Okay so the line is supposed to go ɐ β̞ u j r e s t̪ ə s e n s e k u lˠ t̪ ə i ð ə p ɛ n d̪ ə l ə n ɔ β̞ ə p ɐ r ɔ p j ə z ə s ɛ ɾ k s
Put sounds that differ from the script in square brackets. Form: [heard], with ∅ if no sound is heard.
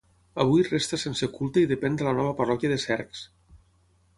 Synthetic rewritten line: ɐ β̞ u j r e s t̪ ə s e n s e k u lˠ t̪ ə i ð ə p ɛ n d̪ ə l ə n ɔ β̞ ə p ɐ r ɔ [k] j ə [ð] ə s ɛ ɾ k s